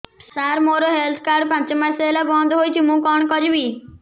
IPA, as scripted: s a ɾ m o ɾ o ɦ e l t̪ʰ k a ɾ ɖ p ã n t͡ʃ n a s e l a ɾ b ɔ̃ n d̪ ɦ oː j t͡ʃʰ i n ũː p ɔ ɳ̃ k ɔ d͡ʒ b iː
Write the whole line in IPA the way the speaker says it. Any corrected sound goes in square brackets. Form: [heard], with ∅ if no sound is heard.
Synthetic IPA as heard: s a ɾ m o ɾ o ɦ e l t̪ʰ k a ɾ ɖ p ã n t͡ʃ [m] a s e l a [∅] b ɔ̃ n d̪ ɦ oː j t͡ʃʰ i [m] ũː [k] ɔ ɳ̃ k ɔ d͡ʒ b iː